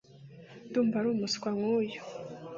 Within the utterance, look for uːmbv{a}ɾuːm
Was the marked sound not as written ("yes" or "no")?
no